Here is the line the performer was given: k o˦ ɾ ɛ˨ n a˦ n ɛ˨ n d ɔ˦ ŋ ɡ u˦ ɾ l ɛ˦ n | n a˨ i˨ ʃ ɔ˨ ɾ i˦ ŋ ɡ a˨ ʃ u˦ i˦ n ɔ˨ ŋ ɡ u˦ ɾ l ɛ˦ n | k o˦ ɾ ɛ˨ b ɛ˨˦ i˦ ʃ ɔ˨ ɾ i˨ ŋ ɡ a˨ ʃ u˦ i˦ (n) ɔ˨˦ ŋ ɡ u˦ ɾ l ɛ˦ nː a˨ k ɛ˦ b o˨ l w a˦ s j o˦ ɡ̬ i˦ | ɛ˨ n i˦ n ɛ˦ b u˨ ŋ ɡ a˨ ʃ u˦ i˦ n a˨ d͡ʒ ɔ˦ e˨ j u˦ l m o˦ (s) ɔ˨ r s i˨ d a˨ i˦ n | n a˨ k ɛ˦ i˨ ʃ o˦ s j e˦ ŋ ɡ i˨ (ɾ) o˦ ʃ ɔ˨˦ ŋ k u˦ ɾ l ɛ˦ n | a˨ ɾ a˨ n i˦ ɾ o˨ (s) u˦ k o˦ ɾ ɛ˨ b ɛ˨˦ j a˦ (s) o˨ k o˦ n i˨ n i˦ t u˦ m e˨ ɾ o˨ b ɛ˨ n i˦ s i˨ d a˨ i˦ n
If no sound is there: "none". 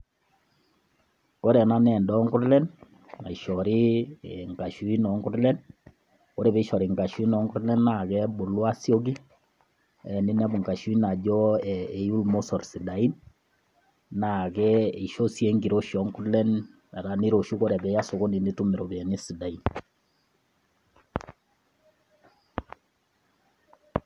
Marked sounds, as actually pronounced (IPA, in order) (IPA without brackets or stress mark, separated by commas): n, s, ɾ, ʃ, s